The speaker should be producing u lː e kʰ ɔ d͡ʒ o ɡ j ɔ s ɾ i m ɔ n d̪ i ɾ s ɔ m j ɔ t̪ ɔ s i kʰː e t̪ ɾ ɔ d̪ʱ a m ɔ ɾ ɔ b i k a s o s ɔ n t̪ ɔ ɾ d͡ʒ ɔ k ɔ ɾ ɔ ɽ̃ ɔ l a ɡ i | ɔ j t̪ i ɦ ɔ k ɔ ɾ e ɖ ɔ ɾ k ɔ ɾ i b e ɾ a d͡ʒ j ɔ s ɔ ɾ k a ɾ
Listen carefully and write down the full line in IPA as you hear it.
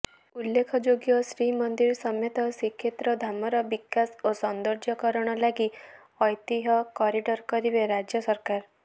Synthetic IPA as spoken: u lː e kʰ ɔ d͡ʒ o ɡ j ɔ s ɾ i m ɔ n d̪ i ɾ s ɔ m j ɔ t̪ ɔ s i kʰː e t̪ ɾ ɔ d̪ʱ a m ɔ ɾ ɔ b i k a s o s ɔ n d̪ ɔ ɾ d͡ʒ ɔ k ɔ ɾ ɔ ɽ̃ ɔ l a ɡ i | ɔ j t̪ i ɦ ɔ k ɔ ɾ i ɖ ɔ ɾ k ɔ ɾ i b e ɾ a d͡ʒ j ɔ s ɔ ɾ k a ɾ